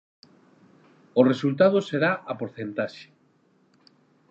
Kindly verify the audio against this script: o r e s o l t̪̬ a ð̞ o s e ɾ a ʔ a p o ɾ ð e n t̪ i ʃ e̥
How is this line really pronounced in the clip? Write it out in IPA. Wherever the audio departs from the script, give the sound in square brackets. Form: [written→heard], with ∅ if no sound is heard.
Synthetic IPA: o r e s [o→u] l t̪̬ a ð̞ o s e ɾ a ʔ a p o ɾ [ð→θ] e n t̪ [i→a] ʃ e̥